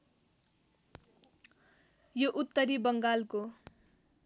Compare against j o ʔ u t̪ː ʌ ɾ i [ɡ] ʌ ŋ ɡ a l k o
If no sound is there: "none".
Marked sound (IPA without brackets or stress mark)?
b